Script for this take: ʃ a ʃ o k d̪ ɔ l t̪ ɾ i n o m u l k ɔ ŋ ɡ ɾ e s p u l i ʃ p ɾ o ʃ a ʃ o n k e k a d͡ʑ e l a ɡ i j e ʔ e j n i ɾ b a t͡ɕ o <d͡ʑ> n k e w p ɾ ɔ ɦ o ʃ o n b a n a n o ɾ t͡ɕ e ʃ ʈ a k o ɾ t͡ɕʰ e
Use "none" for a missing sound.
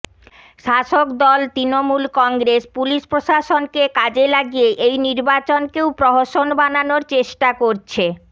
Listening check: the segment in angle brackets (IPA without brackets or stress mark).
none